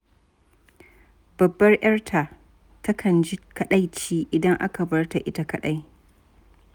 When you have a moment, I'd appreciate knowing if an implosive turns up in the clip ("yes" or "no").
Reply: yes